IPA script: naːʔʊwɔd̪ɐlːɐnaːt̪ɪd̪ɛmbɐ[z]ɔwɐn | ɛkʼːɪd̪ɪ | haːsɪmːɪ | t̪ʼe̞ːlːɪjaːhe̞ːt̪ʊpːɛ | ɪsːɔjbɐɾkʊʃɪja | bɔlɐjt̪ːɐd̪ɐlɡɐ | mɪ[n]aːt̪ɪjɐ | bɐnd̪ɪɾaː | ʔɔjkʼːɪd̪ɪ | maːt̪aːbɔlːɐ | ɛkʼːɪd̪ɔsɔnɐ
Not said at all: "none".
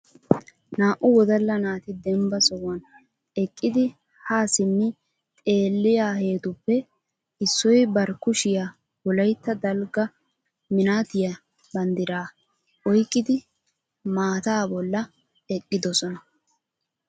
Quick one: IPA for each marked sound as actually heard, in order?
s, n

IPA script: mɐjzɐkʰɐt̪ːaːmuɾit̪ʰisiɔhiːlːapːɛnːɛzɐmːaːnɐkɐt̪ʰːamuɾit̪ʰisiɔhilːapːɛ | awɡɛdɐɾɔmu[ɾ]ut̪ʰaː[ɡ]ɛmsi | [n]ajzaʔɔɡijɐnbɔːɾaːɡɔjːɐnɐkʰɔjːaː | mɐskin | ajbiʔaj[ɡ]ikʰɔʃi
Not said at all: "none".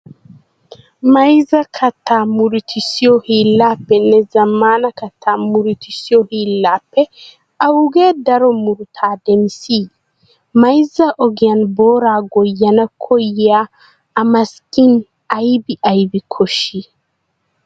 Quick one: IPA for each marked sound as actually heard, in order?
ɾ, d, m, b

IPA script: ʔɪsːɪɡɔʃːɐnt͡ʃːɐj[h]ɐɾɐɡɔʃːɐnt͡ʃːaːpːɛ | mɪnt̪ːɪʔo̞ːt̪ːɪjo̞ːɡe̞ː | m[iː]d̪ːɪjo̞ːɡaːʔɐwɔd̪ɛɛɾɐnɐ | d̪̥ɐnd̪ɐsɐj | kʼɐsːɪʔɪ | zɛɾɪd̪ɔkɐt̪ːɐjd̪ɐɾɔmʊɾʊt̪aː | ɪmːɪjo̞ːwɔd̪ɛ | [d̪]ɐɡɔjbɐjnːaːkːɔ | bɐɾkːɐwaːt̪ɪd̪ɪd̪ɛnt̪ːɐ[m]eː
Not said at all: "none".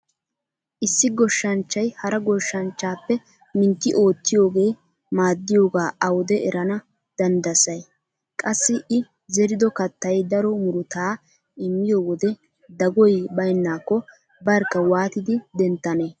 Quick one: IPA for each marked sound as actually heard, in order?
h, aː, d̪, n

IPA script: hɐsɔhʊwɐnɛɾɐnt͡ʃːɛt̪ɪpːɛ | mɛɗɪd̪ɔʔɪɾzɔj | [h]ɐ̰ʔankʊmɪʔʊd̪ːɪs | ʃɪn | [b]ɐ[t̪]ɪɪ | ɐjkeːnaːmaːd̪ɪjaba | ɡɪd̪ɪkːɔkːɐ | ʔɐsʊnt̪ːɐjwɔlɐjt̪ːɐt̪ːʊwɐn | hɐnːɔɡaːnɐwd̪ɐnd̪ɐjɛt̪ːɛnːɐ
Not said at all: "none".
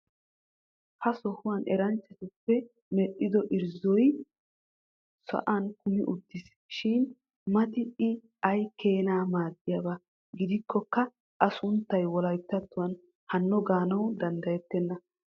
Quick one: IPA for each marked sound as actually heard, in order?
s, m, t̪

